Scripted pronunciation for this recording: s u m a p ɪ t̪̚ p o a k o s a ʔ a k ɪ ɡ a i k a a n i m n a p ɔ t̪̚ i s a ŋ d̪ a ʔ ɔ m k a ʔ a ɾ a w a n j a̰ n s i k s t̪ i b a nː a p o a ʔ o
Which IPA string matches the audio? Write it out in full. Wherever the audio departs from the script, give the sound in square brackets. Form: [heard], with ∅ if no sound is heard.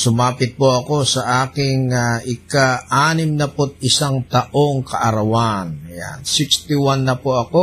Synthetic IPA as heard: s u m a p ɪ t̪̚ p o a k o s a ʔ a k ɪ [ŋ] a i k a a n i m n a p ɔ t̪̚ i s a ŋ [t̪] a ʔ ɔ [ŋ] k a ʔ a ɾ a w a n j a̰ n s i k s t̪ i [w] a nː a p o a [k] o